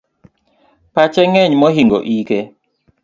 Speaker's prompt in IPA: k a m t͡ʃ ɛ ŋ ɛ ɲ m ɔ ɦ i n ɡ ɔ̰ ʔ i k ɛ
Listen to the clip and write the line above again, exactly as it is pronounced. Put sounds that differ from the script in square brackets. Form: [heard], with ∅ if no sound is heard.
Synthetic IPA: [p] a [∅] t͡ʃ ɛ ŋ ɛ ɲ m ɔ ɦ i [ŋ] ɡ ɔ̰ ʔ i k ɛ